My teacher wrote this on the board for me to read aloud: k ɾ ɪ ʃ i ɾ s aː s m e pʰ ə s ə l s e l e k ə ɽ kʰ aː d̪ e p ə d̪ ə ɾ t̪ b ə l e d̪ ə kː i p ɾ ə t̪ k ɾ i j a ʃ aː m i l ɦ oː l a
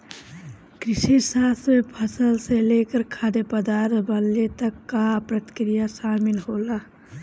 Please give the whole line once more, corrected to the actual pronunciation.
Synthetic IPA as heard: k ɾ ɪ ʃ i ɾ s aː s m e pʰ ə s ə l s e l e k ə ɾ kʰ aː d̪ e p ə d̪ a ɾ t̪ b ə l e t̪ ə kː a p ɾ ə t̪ k ɾ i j a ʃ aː m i l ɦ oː l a